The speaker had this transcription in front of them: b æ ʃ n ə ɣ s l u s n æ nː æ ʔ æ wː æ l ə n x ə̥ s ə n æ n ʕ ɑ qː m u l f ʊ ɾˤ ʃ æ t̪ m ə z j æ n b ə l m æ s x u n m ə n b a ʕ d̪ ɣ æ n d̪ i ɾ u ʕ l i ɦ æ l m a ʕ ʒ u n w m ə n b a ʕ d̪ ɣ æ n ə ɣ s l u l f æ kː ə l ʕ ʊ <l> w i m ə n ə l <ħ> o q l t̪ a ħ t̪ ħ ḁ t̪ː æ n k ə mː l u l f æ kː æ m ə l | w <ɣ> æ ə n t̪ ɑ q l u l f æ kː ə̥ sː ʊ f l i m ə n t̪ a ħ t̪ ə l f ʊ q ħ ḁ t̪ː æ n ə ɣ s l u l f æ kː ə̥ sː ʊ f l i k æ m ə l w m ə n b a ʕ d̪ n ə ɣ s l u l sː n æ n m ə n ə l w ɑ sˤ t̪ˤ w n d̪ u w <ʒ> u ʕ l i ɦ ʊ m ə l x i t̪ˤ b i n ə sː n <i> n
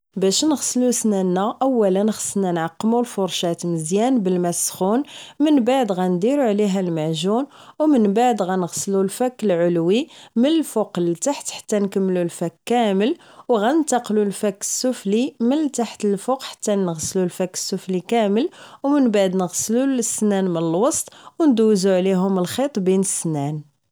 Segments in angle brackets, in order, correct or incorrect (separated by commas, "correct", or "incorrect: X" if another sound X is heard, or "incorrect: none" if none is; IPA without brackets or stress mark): correct, incorrect: f, correct, incorrect: z, incorrect: æ